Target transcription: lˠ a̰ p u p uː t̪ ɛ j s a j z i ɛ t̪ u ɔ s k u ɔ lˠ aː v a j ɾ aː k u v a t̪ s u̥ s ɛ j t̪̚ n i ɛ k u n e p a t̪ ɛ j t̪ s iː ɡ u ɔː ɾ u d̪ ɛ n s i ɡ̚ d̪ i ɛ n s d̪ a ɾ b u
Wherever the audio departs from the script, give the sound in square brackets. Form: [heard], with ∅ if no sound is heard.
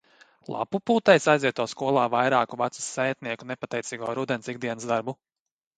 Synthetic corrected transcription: lˠ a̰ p u p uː t̪ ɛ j s a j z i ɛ t̪ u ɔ s k u ɔ lˠ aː v a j ɾ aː k u v a t̪ s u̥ s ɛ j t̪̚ n i ɛ k u n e p a t̪ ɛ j t̪ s iː ɡ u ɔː ɾ u d̪ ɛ n s i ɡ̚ d̪ i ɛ n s d̪ a ɾ b u